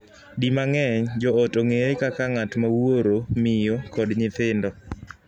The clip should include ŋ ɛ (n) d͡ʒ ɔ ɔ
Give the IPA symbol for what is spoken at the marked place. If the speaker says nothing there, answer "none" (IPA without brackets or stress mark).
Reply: ɲ